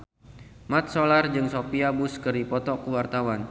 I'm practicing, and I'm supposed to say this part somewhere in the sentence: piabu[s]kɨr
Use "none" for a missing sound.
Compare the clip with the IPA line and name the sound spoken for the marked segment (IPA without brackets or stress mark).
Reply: s